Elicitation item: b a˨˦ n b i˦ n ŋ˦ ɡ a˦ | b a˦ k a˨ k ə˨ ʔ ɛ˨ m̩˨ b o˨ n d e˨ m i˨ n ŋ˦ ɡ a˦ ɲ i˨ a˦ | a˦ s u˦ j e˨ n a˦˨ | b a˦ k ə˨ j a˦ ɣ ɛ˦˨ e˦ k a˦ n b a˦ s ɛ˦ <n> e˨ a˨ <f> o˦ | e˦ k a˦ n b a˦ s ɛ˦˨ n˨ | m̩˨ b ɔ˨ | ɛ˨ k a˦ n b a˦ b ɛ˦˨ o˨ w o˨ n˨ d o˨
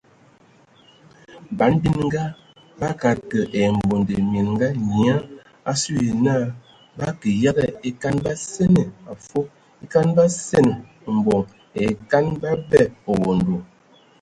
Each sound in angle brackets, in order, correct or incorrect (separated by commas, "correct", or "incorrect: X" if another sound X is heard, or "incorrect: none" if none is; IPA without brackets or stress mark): correct, correct